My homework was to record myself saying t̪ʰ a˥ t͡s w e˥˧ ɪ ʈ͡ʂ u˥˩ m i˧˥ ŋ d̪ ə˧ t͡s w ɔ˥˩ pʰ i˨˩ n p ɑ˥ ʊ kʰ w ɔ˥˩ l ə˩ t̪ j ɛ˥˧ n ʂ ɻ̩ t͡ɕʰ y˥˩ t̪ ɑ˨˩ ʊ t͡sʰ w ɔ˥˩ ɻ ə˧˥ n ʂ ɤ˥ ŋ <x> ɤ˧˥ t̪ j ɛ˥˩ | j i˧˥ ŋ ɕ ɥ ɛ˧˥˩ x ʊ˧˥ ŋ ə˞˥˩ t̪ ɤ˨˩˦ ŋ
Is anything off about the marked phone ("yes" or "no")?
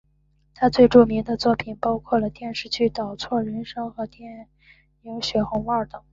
no